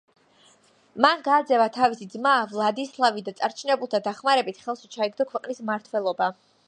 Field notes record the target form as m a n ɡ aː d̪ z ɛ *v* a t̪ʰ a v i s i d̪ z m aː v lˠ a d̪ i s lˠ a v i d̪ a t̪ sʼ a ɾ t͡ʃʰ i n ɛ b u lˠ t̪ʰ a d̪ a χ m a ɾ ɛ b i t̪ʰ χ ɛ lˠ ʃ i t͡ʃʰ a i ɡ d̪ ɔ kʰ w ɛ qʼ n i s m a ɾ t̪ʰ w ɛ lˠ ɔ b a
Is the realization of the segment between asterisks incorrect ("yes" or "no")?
no